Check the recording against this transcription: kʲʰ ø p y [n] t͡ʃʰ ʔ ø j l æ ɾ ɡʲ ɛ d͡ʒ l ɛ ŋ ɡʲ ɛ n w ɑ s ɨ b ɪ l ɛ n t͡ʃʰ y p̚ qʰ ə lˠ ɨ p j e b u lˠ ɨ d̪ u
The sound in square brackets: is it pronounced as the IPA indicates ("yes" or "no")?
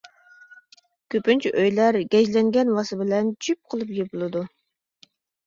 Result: yes